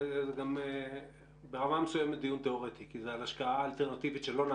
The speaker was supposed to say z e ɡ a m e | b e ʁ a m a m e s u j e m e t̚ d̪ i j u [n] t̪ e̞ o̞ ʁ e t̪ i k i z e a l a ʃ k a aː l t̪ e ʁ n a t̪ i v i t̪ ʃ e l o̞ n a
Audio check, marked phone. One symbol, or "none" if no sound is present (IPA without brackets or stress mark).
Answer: n